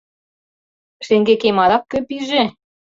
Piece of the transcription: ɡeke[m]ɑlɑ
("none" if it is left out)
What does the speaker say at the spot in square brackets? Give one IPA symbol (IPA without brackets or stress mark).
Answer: m